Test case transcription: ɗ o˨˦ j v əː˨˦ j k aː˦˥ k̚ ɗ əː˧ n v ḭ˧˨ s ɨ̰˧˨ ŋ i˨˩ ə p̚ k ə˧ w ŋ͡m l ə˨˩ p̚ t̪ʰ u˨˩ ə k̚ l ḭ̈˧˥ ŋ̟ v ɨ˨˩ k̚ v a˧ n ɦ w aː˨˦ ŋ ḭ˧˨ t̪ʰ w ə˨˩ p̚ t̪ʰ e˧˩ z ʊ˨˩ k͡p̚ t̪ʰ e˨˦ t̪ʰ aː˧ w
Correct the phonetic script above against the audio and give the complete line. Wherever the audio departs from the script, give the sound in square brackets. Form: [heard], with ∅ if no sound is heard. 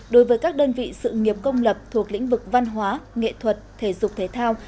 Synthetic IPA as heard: ɗ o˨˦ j v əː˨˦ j k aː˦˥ k̚ ɗ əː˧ n v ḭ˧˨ s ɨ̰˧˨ ŋ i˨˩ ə p̚ k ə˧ w ŋ͡m l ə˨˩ p̚ t̪ʰ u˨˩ ə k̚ l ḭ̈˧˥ ŋ̟ v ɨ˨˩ k̚ v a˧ n ɦ w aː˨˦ ŋ [ḛ˧˨] t̪ʰ w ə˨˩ [t̚] t̪ʰ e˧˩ z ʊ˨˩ k͡p̚ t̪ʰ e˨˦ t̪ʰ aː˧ w

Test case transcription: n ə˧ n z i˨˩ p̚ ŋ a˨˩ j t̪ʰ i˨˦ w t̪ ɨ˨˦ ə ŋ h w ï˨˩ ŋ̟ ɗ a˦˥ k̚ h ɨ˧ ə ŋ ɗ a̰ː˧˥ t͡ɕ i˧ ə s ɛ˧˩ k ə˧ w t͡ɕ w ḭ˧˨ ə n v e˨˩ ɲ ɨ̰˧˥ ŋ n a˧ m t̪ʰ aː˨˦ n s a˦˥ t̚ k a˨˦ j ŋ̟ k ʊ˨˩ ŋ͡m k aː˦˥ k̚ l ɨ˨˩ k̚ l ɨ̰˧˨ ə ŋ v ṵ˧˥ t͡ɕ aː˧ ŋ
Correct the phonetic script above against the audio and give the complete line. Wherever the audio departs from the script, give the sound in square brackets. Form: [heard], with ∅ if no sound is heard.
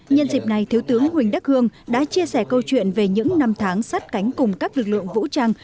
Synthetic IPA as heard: [ɲ] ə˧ n z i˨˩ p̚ [n] a˨˩ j t̪ʰ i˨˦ w t̪ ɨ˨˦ ə ŋ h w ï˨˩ ŋ̟ ɗ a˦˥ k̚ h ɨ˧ ə ŋ ɗ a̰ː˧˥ t͡ɕ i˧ ə s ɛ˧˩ k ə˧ w t͡ɕ w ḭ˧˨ ə n v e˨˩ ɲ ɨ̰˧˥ ŋ n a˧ m t̪ʰ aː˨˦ [ŋ] s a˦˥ t̚ k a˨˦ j ŋ̟ k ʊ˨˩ ŋ͡m k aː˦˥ k̚ l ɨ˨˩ k̚ l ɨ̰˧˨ ə ŋ v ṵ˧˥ t͡ɕ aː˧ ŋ

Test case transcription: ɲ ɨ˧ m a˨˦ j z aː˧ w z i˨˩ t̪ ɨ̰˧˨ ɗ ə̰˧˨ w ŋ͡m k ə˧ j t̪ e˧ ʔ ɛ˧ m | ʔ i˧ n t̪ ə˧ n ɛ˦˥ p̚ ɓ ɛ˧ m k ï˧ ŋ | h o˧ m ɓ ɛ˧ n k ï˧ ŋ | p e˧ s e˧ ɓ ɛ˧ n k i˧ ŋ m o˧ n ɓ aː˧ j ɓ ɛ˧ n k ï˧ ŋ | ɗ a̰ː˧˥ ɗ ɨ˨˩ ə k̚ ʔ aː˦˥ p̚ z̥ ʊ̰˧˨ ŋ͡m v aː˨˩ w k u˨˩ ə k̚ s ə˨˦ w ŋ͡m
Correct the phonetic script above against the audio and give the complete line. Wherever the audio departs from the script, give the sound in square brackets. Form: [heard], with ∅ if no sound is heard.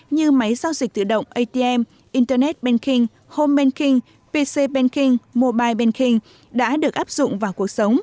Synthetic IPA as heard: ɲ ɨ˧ m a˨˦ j z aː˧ w z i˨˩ t̪ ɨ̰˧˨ ɗ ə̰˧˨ w ŋ͡m [ʔ] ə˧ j t̪ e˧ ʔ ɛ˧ m | ʔ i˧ n t̪ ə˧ n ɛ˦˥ [t̚] ɓ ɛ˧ [n] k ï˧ ŋ | h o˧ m ɓ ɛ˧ n k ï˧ ŋ | p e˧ s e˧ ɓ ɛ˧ n k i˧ ŋ m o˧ [∅] ɓ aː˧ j ɓ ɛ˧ n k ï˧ ŋ | ɗ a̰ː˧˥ ɗ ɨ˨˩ ə k̚ ʔ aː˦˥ p̚ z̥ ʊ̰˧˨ ŋ͡m v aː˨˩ w k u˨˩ ə k̚ s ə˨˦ w ŋ͡m

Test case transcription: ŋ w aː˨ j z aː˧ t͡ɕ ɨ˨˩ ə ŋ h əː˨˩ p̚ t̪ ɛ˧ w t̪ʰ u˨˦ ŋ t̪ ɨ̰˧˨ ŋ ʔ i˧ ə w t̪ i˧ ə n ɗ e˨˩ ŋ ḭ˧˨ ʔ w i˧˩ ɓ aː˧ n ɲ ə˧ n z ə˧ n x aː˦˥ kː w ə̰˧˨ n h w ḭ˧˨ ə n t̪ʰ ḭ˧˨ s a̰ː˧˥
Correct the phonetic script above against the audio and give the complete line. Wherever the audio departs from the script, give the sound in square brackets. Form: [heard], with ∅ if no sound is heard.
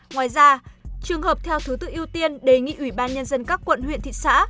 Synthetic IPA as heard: ŋ w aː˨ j z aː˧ t͡ɕ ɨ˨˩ ə ŋ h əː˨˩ p̚ [t̪ʰ] ɛ˧ w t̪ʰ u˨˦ [∅] t̪ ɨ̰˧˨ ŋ ʔ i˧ ə w t̪ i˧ ə n ɗ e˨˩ ŋ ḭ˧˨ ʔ w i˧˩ ɓ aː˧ n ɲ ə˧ n z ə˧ n [k] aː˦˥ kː w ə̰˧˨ n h w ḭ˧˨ ə n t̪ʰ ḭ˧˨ s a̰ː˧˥

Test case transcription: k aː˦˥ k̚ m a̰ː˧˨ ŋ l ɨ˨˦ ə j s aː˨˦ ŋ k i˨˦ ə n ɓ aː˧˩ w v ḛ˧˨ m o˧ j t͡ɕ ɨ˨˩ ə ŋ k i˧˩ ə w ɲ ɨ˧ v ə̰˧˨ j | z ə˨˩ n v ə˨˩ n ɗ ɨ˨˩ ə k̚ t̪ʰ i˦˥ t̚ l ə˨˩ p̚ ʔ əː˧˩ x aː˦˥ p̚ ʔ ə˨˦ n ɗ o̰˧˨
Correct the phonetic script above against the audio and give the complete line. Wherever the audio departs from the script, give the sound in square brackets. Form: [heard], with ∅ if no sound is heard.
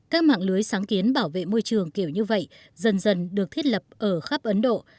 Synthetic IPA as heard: k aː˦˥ k̚ m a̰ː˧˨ ŋ l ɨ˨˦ ə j s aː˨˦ ŋ k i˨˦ ə n ɓ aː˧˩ w v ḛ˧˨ m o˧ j t͡ɕ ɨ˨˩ ə ŋ k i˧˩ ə w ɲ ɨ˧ v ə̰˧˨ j | z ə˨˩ n [z] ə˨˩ n ɗ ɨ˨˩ ə k̚ t̪ʰ i˦˥ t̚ l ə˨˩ p̚ ʔ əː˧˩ x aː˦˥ p̚ ʔ ə˨˦ n ɗ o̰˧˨

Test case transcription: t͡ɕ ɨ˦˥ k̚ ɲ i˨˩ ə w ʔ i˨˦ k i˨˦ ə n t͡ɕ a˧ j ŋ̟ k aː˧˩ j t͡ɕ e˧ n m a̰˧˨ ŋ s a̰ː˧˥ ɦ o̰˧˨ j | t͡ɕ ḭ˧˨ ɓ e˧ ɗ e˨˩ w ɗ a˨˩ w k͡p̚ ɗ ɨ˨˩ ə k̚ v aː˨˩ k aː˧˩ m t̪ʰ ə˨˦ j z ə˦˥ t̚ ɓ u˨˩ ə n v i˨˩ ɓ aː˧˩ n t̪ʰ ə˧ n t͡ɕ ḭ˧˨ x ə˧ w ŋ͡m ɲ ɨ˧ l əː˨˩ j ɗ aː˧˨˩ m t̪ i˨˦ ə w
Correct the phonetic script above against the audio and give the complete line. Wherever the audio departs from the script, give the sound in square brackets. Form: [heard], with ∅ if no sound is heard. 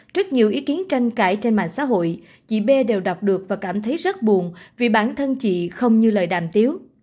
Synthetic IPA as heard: t͡ɕ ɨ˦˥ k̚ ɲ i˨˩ ə w ʔ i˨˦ k i˨˦ ə n t͡ɕ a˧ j ŋ̟ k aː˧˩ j t͡ɕ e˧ n m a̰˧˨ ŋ s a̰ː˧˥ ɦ o̰˧˨ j | t͡ɕ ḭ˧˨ ɓ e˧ ɗ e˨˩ w ɗ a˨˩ w k͡p̚ ɗ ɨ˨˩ ə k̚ v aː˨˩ k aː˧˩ m t̪ʰ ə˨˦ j z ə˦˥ t̚ ɓ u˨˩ ə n v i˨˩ ɓ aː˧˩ n t̪ʰ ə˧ n t͡ɕ ḭ˧˨ x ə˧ w ŋ͡m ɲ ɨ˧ l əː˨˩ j ɗ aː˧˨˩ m t̪ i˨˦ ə w

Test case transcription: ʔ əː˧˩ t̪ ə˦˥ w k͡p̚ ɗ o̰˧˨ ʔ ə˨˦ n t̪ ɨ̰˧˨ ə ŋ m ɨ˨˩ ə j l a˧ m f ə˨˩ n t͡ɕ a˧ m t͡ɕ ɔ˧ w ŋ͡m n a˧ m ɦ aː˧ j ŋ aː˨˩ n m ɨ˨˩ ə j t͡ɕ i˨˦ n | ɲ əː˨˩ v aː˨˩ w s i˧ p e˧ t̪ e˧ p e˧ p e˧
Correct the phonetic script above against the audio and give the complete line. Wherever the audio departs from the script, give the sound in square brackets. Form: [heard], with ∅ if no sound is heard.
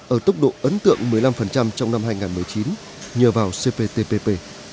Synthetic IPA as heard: ʔ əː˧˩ t̪ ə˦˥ w k͡p̚ ɗ o̰˧˨ ʔ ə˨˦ n t̪ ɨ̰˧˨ ə ŋ m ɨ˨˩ ə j l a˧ m f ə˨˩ n t͡ɕ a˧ m t͡ɕ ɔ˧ w ŋ͡m n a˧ m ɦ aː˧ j ŋ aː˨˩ n m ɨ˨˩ ə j t͡ɕ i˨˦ n | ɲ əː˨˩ v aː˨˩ w s [e˧] p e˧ t̪ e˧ p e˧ p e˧

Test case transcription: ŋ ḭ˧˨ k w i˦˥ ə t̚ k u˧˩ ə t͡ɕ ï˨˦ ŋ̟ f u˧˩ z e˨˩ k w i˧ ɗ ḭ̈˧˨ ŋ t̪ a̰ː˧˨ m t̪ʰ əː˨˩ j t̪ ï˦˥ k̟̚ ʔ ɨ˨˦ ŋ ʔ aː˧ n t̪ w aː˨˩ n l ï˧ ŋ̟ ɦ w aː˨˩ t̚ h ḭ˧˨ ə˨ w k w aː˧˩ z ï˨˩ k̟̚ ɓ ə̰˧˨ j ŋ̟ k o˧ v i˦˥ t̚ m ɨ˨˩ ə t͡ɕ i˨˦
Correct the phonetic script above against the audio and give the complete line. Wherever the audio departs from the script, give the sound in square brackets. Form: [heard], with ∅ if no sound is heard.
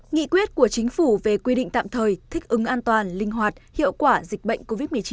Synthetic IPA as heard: ŋ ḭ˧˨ k w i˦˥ ə t̚ k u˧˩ ə t͡ɕ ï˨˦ ŋ̟ f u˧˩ [v] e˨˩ k w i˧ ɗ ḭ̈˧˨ ŋ t̪ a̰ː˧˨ m t̪ʰ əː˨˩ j [t̪ʰ] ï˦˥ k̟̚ ʔ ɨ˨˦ ŋ ʔ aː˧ n t̪ w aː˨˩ n l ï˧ ŋ̟ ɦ w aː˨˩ t̚ h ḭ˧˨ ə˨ w k w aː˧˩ z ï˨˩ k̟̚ ɓ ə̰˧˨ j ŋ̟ k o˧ v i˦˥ t̚ m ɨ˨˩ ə t͡ɕ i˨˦

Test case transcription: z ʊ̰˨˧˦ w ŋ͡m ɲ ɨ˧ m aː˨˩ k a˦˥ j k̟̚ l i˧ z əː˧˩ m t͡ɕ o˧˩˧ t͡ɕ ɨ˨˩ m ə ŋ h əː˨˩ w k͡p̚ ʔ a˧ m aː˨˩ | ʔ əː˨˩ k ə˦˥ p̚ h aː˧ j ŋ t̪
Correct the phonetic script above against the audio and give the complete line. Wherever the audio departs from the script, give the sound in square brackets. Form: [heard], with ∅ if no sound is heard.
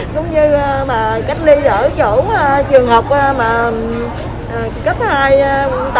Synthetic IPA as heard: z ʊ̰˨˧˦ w ŋ͡m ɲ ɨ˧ m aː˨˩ k a˦˥ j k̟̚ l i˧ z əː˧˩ [∅] t͡ɕ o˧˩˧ t͡ɕ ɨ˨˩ [∅] ə ŋ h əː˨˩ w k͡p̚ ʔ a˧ m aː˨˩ | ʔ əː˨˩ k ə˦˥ p̚ h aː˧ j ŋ t̪

